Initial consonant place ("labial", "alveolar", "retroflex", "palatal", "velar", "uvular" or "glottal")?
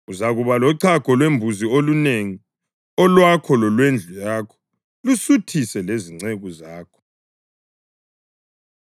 alveolar